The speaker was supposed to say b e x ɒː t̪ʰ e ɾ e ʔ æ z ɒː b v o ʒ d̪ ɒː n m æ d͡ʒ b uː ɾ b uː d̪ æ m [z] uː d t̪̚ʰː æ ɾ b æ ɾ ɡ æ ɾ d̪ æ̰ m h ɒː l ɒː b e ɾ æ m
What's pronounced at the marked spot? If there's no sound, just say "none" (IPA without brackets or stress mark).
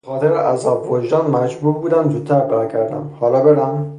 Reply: z